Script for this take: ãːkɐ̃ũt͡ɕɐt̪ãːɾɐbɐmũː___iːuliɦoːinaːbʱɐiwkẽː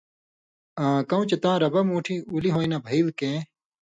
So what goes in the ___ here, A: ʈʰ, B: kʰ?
A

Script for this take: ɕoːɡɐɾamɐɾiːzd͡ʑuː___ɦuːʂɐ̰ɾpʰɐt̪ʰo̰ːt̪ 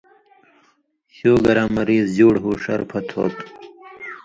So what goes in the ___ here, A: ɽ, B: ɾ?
A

